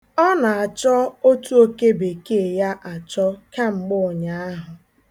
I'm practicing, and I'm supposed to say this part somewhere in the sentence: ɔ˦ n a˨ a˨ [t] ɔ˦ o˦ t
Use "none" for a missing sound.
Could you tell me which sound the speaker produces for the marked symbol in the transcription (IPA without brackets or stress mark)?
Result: t͡ʃ